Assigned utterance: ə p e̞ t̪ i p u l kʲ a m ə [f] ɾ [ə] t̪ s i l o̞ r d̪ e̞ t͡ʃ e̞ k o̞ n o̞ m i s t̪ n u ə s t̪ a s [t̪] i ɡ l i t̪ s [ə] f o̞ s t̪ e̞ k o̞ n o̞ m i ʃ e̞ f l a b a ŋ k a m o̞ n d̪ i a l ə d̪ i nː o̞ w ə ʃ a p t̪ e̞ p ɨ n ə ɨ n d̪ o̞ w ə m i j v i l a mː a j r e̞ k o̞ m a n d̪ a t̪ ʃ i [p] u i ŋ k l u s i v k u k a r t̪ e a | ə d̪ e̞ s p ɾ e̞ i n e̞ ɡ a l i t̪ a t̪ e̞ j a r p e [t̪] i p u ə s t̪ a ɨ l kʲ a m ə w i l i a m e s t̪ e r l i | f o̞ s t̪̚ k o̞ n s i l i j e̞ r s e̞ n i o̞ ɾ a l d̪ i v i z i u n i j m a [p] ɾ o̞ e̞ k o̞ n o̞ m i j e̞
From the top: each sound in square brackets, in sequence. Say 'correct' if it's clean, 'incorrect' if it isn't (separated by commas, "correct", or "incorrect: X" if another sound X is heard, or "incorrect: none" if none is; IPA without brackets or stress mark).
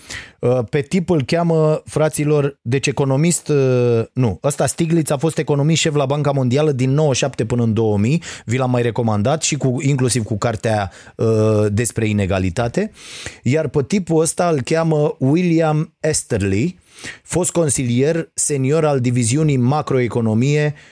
correct, incorrect: a, correct, incorrect: a, incorrect: k, correct, incorrect: k